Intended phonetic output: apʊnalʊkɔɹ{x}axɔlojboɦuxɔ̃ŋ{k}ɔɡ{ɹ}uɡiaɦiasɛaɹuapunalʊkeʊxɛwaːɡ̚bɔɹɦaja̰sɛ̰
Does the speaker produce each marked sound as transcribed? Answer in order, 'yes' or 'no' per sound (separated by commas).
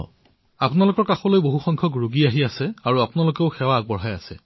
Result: no, no, yes